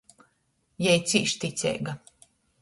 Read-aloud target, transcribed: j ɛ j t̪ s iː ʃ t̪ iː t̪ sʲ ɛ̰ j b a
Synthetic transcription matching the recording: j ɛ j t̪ s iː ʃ t̪ i t̪ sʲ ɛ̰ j ɡ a